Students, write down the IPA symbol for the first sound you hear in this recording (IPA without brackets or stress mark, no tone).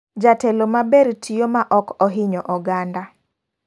d͡ʒ